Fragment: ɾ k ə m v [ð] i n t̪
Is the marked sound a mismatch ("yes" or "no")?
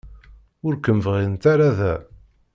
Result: yes